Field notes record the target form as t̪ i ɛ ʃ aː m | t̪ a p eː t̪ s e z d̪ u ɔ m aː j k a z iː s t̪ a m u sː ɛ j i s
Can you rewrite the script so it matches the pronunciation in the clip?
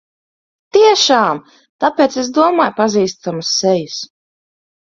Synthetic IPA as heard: t̪ i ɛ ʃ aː m | t̪ a p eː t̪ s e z d̪ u ɔ m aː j p a z iː s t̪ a m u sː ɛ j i s